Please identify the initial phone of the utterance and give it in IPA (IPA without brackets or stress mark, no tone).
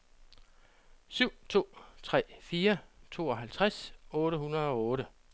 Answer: s